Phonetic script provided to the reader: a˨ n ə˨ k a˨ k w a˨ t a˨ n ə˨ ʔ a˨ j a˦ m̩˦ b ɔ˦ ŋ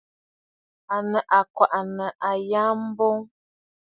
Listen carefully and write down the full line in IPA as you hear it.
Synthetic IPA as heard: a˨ n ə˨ ʔ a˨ k w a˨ ʔ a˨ n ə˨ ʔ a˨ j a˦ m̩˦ b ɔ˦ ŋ